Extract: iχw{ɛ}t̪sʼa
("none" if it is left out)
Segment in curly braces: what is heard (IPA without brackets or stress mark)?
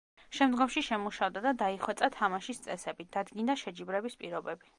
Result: ɛ